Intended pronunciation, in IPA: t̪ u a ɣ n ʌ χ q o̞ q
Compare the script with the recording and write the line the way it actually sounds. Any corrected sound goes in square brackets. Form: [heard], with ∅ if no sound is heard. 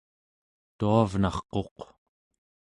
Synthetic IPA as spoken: t̪ u a [v] n [ɑ] χ q o̞ q

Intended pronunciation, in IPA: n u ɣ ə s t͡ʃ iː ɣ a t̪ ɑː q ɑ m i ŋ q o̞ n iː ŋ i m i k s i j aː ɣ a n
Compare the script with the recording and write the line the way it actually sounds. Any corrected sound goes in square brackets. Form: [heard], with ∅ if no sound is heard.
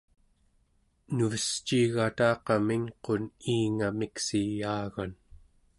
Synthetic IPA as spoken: n u [v] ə s t͡ʃ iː ɣ a t̪ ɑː q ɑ m i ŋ q o̞ n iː ŋ [a] m i k s i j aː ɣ a n

